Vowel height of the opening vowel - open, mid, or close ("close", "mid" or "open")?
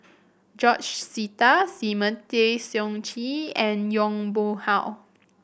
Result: mid